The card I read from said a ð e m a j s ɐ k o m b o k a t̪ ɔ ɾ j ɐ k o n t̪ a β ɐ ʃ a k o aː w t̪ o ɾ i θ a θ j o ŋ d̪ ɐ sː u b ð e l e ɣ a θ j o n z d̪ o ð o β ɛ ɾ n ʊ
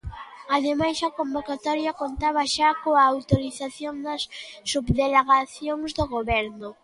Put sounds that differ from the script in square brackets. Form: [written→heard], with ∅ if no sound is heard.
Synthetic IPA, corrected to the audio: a ð e m a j s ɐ k o m b o k a t̪ ɔ ɾ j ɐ k o n t̪ a β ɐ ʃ a k o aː w t̪ o ɾ i θ a θ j o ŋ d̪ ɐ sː u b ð e l e ɣ a θ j o [n→ŋ] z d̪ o [ð→ɣ] o β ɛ ɾ n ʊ

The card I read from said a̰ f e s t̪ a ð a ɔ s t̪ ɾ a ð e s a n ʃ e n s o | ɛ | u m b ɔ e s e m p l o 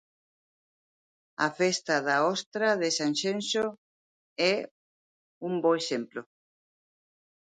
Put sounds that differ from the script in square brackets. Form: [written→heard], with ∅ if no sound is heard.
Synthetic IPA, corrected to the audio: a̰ f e s t̪ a ð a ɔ s t̪ ɾ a ð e s a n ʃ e n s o | ɛ | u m b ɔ e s e m p l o

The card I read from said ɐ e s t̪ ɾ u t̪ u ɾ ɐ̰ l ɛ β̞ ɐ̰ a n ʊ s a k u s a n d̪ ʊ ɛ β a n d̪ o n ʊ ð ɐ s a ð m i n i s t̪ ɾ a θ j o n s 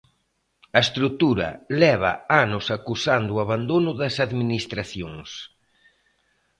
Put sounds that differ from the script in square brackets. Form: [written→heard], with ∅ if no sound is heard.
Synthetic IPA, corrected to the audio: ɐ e s t̪ ɾ u t̪ u ɾ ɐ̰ l ɛ β̞ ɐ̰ a n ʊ s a k u s a n d̪ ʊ [ɛ→a] β a n d̪ o n ʊ ð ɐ s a ð m i n i s t̪ ɾ a θ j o [n→ŋ] s

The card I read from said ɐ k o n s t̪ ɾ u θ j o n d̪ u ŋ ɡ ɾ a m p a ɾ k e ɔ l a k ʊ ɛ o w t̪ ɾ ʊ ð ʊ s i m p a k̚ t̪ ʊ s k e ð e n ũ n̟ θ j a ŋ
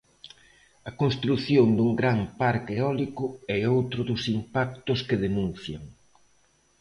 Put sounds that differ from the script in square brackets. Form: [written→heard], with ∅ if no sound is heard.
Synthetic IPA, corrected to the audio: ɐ k o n s t̪ ɾ u θ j o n d̪ u ŋ ɡ ɾ a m p a ɾ k e ɔ l [a→i] k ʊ ɛ o w t̪ ɾ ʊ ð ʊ s i m p a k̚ t̪ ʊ s k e ð e n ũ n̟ θ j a ŋ

